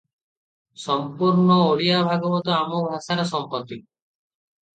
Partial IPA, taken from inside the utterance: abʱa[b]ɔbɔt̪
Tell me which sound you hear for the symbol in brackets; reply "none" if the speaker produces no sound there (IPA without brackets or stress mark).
ɡ